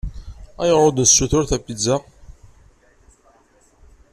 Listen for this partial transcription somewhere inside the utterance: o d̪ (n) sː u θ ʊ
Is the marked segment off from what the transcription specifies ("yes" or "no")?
no